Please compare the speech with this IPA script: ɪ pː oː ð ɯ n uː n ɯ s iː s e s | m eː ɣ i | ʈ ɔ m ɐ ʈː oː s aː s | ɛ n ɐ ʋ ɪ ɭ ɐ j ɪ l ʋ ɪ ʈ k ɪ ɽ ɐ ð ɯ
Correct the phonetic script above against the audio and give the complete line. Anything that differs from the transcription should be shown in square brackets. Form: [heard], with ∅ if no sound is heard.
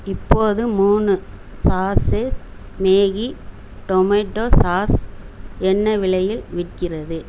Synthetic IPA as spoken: ɪ pː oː ð ɯ [m] uː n ɯ s [aː] s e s | m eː ɣ i | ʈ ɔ m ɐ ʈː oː s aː s | ɛ [nː] ɐ ʋ ɪ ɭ ɐ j ɪ l ʋ ɪ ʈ k ɪ [r] ɐ ð ɯ